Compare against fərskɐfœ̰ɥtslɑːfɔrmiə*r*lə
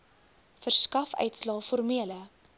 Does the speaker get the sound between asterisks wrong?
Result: yes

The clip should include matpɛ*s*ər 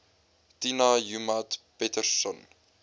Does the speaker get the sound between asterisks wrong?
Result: yes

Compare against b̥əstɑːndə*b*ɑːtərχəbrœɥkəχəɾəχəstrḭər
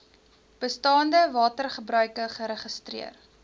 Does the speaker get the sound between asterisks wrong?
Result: yes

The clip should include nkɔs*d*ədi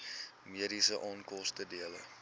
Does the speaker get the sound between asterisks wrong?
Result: yes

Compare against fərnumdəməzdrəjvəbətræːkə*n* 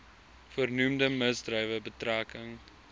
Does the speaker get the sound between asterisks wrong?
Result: yes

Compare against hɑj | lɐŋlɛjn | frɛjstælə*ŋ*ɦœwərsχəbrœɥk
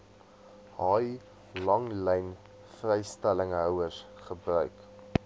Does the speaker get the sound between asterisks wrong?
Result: no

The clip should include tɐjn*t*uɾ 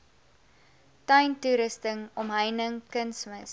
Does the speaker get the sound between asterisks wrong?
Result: no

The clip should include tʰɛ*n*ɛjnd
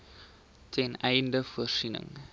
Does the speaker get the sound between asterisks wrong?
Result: no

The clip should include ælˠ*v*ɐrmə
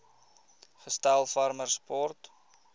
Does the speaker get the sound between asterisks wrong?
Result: yes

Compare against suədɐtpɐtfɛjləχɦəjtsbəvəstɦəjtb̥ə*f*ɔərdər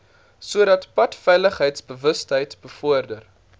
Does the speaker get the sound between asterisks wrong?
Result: no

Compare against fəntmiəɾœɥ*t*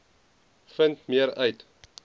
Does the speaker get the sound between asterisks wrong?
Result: no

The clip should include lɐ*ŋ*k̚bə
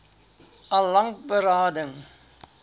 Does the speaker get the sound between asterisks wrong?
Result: no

